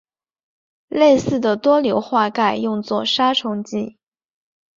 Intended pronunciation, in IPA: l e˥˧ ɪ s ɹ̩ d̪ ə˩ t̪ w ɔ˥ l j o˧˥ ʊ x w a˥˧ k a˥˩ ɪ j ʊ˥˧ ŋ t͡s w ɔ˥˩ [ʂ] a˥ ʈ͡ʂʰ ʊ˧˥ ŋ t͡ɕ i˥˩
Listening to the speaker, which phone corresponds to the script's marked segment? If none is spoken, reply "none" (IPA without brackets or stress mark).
ʂ